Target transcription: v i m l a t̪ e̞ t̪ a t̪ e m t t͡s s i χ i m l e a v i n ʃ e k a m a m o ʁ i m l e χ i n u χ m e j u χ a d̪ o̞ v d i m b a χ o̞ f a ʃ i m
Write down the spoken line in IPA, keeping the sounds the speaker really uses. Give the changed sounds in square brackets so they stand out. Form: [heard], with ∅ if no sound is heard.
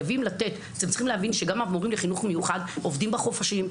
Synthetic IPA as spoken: v i m l a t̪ e̞ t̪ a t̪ e m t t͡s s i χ i m l e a v i n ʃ e [ɡ] a m a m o ʁ i m l e χ i n u χ m e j u χ a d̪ o̞ v d i m b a χ o̞ f a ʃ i m